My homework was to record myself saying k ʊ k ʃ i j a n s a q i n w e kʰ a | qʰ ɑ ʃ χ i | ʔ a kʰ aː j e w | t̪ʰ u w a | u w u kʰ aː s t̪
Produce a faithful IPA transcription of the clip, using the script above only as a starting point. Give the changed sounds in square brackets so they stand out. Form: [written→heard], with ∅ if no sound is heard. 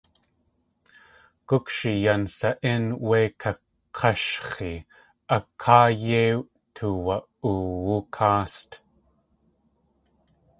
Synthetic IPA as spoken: k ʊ k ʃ i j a n s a [q→ʔ] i n w e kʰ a | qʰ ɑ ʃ χ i | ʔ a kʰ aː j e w | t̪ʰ u w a | u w u kʰ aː s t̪